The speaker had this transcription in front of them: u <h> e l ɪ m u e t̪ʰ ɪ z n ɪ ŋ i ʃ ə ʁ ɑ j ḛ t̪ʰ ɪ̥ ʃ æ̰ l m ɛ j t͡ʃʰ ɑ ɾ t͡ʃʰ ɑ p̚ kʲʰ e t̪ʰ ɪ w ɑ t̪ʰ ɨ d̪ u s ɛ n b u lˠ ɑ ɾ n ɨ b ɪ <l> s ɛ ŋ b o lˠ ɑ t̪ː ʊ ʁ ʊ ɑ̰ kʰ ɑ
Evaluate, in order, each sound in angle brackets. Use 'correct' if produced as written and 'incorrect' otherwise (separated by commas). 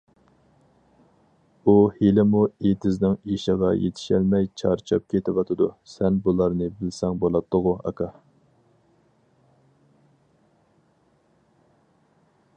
correct, correct